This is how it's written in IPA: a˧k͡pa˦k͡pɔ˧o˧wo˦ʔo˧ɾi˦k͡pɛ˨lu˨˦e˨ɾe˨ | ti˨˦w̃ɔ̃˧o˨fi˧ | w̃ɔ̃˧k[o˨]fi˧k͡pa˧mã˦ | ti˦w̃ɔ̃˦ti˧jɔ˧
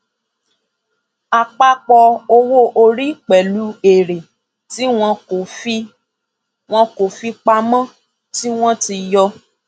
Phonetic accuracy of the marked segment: correct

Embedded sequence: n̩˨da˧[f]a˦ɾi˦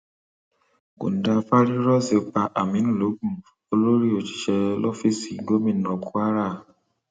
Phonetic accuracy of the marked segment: correct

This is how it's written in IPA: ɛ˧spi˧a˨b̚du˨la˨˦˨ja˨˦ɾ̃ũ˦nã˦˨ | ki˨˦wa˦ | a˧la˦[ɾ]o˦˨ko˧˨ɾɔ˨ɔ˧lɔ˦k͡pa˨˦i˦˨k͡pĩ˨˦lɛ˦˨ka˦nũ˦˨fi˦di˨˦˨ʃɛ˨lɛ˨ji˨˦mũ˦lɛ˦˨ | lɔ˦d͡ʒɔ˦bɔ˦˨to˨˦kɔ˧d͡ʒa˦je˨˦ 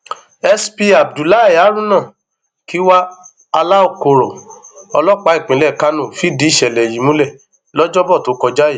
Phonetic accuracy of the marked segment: incorrect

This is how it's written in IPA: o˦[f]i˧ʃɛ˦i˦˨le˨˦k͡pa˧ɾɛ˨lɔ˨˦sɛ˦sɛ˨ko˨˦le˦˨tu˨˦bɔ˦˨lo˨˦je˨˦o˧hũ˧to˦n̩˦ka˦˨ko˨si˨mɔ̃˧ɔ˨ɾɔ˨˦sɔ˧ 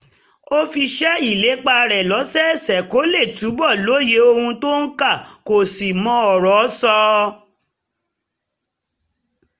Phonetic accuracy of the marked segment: correct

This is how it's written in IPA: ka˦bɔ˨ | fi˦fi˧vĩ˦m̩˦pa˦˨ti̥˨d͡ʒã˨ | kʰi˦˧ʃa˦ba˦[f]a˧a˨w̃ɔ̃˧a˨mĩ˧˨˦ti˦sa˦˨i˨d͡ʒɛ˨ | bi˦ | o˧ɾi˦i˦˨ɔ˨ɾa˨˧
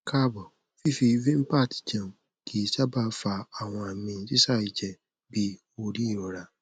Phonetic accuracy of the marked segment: correct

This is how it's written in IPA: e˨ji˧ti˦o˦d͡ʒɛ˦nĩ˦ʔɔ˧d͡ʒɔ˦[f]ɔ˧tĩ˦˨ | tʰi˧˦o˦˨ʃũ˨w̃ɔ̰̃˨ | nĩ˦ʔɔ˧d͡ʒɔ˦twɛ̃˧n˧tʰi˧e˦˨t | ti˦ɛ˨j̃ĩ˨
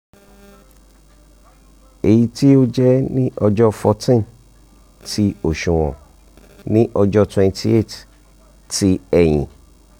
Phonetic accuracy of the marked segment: correct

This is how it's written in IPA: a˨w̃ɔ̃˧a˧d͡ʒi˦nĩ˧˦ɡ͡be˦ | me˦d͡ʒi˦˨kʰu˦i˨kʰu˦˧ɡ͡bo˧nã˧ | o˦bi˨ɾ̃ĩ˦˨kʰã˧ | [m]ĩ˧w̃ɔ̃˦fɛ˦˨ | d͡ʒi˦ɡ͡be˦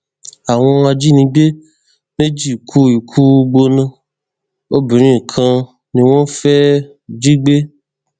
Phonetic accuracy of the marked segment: incorrect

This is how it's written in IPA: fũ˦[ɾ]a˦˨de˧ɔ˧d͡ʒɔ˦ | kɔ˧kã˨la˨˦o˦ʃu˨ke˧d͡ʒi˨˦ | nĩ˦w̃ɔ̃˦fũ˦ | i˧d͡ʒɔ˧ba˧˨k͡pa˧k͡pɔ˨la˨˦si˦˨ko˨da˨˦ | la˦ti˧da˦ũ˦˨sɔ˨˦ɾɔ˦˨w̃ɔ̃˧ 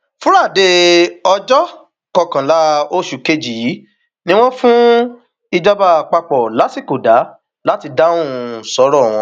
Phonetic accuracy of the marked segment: correct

